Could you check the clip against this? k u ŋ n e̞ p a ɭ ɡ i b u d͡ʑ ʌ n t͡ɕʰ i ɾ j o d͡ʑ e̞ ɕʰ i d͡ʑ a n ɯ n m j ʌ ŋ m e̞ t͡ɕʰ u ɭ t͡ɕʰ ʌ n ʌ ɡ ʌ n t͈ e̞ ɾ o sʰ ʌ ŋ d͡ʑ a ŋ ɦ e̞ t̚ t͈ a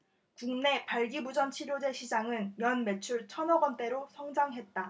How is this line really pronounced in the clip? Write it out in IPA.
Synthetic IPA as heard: k u ŋ n e̞ p a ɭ ɡ i b u d͡ʑ ʌ n t͡ɕʰ i ɾ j o d͡ʑ e̞ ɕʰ i d͡ʑ a ŋ ɯ n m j ʌ n m e̞ t͡ɕʰ u ɭ t͡ɕʰ ʌ n ʌ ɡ ʌ n t͈ e̞ ɾ o sʰ ʌ ŋ d͡ʑ a ŋ ɦ e̞ t̚ t͈ a

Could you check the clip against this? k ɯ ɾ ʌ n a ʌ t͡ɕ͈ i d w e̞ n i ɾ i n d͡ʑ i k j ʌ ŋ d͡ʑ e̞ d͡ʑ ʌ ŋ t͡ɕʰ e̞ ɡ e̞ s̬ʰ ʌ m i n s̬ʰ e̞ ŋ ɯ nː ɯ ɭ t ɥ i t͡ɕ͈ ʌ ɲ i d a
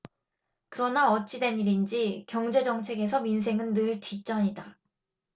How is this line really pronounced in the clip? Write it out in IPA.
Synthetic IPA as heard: k ɯ ɾ ʌ n a ʌ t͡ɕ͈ i d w e̞ n i ɾ i n d͡ʑ i k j ʌ ŋ d͡ʑ e̞ d͡ʑ ʌ ŋ t͡ɕʰ e̞ ɡ e̞ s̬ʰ ʌ m i n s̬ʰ e̞ ŋ ɯ nː ɯ ɭ t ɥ i t͡ɕ͈ ʌ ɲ i d a

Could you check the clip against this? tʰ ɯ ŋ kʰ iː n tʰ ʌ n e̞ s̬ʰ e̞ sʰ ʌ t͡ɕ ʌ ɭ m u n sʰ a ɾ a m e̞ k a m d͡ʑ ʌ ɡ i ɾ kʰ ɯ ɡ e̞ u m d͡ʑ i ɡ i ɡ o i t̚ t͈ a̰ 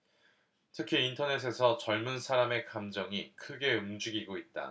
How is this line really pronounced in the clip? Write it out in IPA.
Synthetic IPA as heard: tʰ ɯ kʰ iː n tʰ ʌ n e̞ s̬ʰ e̞ sʰ ʌ t͡ɕ ʌ ɭ m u n sʰ a ɾ a m e̞ k a m d͡ʑ ʌ ŋ i kʰ ɯ ɡ e̞ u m d͡ʑ i ɡ i ɡ o i t̚ t͈ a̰

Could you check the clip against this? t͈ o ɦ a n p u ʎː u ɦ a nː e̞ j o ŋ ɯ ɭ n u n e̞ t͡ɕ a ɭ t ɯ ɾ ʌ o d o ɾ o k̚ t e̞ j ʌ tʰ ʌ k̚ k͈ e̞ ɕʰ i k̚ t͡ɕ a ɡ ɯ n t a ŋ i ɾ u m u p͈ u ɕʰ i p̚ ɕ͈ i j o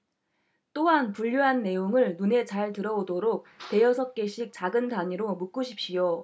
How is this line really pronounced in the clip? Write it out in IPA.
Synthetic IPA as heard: t͈ o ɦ a n p u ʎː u ɦ a nː e̞ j o ŋ ɯ ɭ n u n e̞ t͡ɕ a ɭ t ɯ ɾ ʌ o d o ɾ o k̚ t e̞ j ʌ sʰ ʌ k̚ k͈ e̞ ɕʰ i k̚ t͡ɕ a ɡ ɯ n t a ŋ i ɾ o m u k͈ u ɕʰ i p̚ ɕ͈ i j o

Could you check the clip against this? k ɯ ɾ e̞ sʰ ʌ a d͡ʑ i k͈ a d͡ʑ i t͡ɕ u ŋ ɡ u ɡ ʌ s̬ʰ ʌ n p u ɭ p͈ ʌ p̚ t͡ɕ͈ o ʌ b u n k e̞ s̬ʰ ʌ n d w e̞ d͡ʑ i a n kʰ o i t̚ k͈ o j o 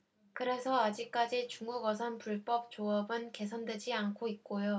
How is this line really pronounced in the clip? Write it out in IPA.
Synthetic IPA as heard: k ɯ ɾ e̞ sʰ ʌ a d͡ʑ i k͈ a d͡ʑ i t͡ɕ u ŋ ɡ u ɡ ʌ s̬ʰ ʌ n p u ɭ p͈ ʌ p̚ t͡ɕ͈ o ʌ b ɯ n k e̞ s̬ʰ ʌ n d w e̞ d͡ʑ i a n kʰ o i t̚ k͈ o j o

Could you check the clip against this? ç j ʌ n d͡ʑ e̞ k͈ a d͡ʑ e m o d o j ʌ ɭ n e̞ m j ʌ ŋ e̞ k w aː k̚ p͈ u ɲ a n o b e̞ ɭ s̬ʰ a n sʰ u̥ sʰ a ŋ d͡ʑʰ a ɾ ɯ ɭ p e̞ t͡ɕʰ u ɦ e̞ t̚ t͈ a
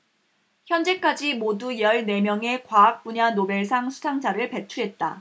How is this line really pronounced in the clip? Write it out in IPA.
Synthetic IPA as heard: ç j ʌ n d͡ʑ e̞ k͈ a d͡ʑ i m o d u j ʌ ɭ n e̞ m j ʌ ŋ e̞ k w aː k̚ p͈ u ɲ a n o b e̞ ɭ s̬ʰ a ŋ sʰ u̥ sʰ a ŋ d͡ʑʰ a ɾ ɯ ɭ p e̞ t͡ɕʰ u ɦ e̞ t̚ t͈ a

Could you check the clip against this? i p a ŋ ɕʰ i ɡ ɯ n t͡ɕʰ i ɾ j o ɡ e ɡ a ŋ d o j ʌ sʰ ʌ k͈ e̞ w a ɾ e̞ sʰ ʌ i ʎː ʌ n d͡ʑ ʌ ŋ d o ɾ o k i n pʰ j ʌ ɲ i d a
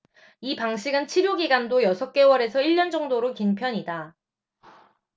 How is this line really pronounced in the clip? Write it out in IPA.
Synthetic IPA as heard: i p a ŋ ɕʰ i ɡ ɯ n t͡ɕʰ i ɾ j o ɡ i ɡ a n d o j ʌ sʰ ʌ k͈ e̞ w ʌ ɾ e̞ sʰ ʌ i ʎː ʌ n d͡ʑ ʌ ŋ d o ɾ o k i n pʰ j ʌ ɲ i d a

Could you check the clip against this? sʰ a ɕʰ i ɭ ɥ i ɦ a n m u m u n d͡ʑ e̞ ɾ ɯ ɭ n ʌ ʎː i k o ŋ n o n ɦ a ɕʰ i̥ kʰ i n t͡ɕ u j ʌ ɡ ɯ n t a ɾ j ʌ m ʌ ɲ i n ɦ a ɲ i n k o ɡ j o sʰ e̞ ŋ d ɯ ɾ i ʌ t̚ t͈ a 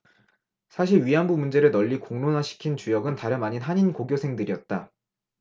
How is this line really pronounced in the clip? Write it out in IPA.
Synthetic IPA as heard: sʰ a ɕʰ i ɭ ɥ i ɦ a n b u m u n d͡ʑ e̞ ɾ ɯ ɭ n ʌ ʎː i k o ŋ n o n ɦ a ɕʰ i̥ kʰ i n t͡ɕ u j ʌ ɡ ɯ n t a ɾ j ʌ m a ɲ i n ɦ a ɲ i n k o ɡ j o sʰ e̞ ŋ d ɯ ɾ i ʌ t̚ t͈ a

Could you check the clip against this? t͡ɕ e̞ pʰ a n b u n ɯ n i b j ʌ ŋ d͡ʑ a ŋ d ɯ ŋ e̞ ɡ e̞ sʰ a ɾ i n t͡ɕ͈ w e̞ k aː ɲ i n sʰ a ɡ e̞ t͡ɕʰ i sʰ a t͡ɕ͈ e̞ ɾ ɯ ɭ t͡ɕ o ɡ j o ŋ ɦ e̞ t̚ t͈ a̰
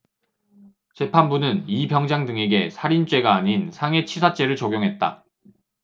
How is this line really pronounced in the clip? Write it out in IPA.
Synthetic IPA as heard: t͡ɕ e̞ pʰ a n b u n ɯ n i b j ʌ ŋ d͡ʑ a ŋ d ɯ ŋ e̞ ɡ e̞ sʰ a ɾ i n t͡ɕ͈ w e̞ ɡ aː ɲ i n sʰ a ŋ e̞ t͡ɕʰ i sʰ a t͡ɕ͈ e̞ ɾ ɯ ɭ t͡ɕ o ɡ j o ŋ ɦ e̞ t̚ t͈ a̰

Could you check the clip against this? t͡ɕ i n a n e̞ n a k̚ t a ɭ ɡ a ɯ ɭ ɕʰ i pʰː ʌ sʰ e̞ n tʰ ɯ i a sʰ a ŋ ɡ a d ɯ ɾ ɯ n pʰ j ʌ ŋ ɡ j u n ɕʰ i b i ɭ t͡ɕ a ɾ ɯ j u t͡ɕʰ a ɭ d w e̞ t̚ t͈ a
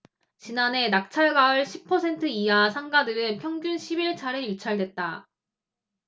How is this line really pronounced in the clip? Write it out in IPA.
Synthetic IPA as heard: t͡ɕ i n a n e̞ n a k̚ t͡ɕʰ a ɭ ɡ a ɯ ɭ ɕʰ i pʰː ʌ sʰ e̞ n tʰ ɯ i a sʰ a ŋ ɡ a d ɯ ɾ ɯ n pʰ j ʌ ŋ ɡ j u n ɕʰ i b i ɭ t͡ɕʰ a ɾ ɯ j u t͡ɕʰ a ɭ d w e̞ t̚ t͈ a

